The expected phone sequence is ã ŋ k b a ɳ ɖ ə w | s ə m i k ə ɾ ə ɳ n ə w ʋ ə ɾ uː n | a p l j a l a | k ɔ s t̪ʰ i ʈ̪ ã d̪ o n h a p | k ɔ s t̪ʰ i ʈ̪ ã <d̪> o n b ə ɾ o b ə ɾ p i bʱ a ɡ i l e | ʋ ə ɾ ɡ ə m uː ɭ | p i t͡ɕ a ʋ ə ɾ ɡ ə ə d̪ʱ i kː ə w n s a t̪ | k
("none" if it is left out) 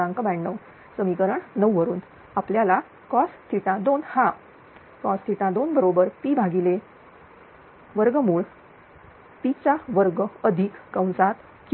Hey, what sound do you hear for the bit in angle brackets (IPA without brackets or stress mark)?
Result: d̪